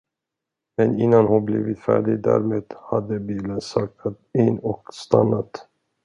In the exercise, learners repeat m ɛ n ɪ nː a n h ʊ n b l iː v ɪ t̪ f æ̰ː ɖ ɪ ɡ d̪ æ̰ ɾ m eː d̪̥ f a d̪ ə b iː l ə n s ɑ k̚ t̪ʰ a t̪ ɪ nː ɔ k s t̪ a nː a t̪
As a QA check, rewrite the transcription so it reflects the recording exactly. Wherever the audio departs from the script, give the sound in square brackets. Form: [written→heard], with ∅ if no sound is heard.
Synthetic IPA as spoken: m ɛ n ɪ nː a n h ʊ n b l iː v ɪ t̪ f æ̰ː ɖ ɪ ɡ d̪ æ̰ ɾ m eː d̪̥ [f→h] a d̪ ə b iː l ə n s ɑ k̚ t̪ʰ a t̪ ɪ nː ɔ k s t̪ a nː a t̪

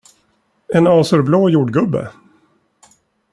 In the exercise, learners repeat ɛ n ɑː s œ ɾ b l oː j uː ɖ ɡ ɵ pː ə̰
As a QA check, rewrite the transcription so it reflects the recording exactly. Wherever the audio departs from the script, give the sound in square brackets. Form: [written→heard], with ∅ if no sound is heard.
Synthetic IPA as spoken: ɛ n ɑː s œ ɾ b l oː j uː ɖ ɡ ɵ [pː→bː] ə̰

